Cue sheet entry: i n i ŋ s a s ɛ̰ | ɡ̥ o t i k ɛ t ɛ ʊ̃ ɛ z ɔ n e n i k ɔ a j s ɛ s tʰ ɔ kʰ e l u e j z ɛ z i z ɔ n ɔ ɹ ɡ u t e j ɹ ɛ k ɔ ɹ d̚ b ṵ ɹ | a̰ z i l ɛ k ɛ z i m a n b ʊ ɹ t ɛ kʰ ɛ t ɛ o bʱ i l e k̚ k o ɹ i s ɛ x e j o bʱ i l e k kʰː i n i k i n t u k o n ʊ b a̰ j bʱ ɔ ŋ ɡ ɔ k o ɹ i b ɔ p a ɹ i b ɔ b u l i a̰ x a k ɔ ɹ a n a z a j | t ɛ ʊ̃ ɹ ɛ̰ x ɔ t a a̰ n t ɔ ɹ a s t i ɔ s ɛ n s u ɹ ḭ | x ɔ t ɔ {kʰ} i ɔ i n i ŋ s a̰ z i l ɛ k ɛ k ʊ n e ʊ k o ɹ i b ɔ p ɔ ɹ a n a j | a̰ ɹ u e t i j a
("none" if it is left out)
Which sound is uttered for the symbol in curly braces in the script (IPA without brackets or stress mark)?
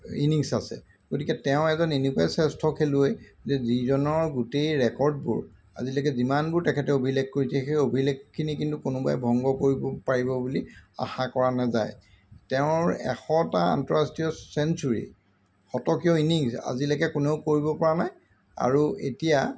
k